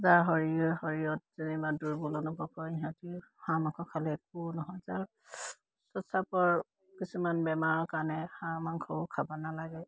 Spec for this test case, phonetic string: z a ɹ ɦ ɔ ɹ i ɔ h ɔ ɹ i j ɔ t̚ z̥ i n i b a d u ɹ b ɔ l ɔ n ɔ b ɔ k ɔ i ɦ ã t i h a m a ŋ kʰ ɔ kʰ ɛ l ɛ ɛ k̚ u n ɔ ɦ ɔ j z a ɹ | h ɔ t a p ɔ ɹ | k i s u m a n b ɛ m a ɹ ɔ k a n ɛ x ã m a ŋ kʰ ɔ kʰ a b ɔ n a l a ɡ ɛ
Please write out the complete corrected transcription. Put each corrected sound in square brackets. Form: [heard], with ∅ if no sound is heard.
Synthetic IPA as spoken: z a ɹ ɦ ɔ ɹ i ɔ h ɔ ɹ i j ɔ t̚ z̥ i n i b a d u ɹ b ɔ l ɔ n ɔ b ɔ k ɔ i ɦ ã t i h a m a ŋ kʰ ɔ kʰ [a] l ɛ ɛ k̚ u n ɔ ɦ ɔ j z a ɹ | [s] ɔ [s] a p ɔ ɹ | k i s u m a n b ɛ m a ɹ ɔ k a n ɛ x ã m a ŋ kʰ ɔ kʰ a b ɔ n a l a ɡ ɛ